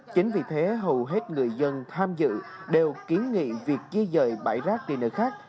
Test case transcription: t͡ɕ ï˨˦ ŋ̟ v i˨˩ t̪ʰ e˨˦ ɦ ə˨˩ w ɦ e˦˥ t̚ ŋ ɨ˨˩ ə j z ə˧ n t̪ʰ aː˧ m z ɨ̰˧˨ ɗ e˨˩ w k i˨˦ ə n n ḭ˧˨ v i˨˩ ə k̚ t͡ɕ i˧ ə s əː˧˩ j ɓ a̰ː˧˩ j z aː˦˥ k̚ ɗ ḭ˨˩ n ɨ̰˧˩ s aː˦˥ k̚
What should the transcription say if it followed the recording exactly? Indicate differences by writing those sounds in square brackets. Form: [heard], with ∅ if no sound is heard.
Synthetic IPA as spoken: t͡ɕ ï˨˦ ŋ̟ v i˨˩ t̪ʰ e˨˦ ɦ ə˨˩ w ɦ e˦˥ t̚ ŋ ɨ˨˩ ə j z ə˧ n t̪ʰ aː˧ m z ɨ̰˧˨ ɗ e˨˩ w k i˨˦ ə n [ŋ] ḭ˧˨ v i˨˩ ə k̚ t͡ɕ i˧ ə [z] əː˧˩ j ɓ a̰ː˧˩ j z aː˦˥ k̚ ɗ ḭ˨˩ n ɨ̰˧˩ [x] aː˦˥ k̚